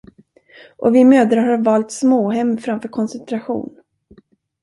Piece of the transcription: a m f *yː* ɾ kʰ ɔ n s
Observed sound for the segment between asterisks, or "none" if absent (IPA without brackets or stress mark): œː